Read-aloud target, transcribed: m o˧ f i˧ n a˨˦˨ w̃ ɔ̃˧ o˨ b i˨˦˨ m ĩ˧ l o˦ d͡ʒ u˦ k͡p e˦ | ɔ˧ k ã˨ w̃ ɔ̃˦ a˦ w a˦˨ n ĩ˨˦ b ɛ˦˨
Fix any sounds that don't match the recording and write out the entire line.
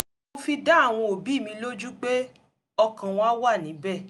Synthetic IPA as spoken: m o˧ f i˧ d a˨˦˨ w̃ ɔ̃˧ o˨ b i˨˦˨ m ĩ˧ l o˦ d͡ʒ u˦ k͡p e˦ | ɔ˧ k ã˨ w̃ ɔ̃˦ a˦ w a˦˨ n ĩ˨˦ b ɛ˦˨

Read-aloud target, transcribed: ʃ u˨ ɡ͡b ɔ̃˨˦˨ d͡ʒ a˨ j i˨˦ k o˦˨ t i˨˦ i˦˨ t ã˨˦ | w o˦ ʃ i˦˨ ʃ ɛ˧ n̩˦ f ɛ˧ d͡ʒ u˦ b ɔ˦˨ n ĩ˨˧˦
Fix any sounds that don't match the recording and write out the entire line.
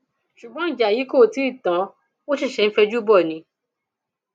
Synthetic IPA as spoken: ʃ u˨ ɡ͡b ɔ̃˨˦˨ d͡ʒ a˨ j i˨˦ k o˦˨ t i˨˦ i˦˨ t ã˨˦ | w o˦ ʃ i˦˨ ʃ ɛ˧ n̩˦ f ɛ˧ d͡ʒ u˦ b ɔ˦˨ n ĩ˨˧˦

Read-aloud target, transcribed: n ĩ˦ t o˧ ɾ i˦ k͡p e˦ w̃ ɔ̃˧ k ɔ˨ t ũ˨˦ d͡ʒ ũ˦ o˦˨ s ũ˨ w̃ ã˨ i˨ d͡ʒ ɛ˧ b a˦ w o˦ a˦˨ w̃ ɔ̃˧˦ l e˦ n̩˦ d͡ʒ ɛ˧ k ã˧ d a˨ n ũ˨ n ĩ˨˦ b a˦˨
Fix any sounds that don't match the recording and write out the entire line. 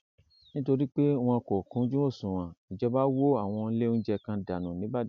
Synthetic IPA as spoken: n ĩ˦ t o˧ ɾ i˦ k͡p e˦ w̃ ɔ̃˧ k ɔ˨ k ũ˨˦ d͡ʒ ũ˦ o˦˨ s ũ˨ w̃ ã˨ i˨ d͡ʒ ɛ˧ b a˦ w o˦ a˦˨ w̃ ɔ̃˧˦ l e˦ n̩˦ d͡ʒ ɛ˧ k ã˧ d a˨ n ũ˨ n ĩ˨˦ b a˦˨

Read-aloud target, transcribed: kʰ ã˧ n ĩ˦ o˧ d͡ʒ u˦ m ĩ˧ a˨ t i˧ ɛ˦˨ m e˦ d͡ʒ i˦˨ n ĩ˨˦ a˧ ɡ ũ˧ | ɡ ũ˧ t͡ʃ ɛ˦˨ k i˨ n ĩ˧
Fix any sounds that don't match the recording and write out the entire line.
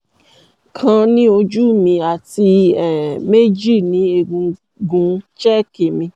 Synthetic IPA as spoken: kʰ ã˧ n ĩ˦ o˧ d͡ʒ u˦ m ĩ˧ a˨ t i˧ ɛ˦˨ m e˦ d͡ʒ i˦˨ n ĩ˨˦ e˧ ɡ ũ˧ | ɡ ũ˧ t͡ʃ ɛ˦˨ k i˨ m ĩ˧

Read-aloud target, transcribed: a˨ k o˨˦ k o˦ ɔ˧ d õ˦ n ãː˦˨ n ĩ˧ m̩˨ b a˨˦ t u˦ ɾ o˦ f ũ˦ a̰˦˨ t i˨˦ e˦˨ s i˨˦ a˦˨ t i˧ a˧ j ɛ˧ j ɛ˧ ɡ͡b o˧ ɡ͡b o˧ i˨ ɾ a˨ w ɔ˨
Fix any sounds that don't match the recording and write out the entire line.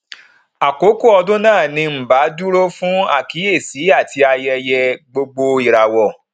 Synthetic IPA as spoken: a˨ k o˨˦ k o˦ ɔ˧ d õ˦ n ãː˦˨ n ĩ˧ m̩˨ b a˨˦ d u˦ ɾ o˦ f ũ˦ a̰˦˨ k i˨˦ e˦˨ s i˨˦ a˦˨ t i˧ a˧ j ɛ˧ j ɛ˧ ɡ͡b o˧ ɡ͡b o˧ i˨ ɾ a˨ w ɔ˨

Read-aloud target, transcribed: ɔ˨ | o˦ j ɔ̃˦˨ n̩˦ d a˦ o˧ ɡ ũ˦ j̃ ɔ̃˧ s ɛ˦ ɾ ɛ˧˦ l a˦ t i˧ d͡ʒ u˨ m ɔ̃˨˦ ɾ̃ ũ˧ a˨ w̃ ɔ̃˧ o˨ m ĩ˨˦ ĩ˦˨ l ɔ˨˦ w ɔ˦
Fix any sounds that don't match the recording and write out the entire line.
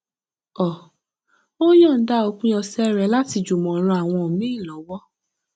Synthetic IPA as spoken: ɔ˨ | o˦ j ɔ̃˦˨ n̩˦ d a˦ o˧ k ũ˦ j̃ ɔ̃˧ s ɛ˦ ɾ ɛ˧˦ l a˦ t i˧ d͡ʒ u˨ m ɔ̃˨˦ ɾ̃ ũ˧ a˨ w̃ ɔ̃˧ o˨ m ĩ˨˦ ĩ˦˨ l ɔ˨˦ w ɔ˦

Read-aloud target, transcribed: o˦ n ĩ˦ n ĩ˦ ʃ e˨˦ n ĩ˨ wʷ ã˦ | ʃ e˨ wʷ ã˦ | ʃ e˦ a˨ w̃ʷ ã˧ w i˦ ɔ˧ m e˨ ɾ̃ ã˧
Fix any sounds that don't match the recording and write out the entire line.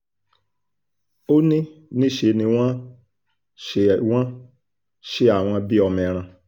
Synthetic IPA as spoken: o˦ n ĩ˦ n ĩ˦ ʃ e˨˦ n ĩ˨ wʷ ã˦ | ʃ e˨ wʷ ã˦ | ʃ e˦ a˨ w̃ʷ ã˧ b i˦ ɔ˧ m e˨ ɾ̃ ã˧

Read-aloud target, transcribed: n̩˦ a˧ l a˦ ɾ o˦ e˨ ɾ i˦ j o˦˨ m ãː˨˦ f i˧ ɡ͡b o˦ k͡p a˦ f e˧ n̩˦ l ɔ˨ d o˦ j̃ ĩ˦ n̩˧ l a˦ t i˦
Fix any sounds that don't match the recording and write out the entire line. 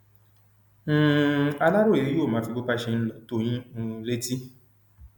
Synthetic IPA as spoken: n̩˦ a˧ l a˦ ɾ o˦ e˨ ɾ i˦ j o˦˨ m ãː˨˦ f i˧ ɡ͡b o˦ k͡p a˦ ʃ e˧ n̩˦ l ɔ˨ t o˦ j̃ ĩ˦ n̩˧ l e˦ t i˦

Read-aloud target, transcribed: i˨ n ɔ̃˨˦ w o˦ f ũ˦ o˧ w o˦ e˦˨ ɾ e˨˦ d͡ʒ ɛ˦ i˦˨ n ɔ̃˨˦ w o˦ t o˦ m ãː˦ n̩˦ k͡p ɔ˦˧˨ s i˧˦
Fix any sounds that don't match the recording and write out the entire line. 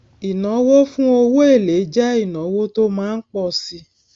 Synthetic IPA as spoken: i˨ n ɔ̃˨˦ w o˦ f ũ˦ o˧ w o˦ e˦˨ l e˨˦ d͡ʒ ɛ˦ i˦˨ n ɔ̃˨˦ w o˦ t o˦ m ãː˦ n̩˦ k͡p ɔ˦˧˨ s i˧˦

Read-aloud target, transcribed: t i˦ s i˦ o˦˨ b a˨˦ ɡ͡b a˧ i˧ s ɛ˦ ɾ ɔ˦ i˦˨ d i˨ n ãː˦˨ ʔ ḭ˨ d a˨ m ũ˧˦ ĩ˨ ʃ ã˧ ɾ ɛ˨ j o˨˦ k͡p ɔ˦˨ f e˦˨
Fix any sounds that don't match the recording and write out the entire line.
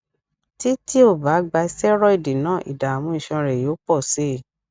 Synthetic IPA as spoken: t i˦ t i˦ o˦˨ b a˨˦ ɡ͡b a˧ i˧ s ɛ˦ ɾ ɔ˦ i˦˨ d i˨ n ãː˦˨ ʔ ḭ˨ d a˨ m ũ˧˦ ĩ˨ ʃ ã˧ ɾ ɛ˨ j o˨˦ k͡p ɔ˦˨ s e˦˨

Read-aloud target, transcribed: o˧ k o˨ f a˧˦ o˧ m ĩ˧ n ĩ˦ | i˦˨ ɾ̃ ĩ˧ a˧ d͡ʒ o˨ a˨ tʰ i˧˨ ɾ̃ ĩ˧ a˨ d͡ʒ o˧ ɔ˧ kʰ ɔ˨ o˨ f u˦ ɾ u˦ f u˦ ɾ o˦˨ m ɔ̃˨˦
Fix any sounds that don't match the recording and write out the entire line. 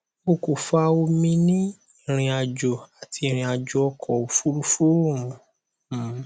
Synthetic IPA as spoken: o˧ k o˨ f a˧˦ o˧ m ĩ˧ n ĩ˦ | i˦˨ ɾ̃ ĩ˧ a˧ d͡ʒ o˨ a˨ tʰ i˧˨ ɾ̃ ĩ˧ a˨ d͡ʒ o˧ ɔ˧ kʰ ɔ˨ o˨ f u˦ ɾ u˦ f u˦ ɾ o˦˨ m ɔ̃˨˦

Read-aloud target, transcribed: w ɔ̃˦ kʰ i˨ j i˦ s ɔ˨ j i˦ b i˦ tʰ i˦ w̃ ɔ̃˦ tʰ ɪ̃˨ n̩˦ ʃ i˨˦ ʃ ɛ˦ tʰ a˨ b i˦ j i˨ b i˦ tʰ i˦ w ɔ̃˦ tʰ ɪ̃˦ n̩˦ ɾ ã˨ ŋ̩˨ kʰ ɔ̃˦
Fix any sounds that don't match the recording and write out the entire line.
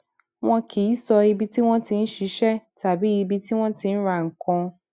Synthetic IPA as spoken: w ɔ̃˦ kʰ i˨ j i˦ s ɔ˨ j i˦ b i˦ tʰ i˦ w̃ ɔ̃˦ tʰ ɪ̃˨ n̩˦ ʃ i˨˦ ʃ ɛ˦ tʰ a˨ b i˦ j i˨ b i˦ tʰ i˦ w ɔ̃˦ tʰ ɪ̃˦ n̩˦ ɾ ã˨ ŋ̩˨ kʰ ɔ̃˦

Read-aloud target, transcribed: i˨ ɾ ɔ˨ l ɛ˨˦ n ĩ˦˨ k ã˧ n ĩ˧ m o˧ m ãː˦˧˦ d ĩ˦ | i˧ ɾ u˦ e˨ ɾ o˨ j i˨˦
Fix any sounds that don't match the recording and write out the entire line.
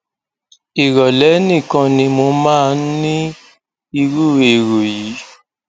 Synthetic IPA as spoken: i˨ ɾ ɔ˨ l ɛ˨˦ n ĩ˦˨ k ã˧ n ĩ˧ m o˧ m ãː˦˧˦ n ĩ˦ | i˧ ɾ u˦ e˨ ɾ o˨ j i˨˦

